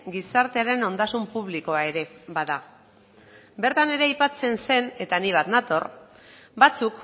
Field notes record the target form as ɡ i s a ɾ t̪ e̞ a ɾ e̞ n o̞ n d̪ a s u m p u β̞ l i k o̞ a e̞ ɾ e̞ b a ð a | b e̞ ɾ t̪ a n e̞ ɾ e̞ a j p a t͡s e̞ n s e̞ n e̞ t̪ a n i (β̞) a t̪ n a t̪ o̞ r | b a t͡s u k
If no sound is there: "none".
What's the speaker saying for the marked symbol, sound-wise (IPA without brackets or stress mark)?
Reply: β̞